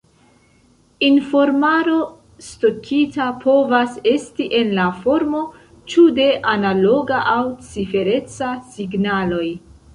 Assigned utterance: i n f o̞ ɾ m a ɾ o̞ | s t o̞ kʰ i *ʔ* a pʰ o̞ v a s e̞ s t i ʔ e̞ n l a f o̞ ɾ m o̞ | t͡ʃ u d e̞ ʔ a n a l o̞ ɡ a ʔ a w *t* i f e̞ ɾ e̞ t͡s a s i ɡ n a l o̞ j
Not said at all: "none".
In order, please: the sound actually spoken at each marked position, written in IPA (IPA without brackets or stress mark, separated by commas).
t, t͡s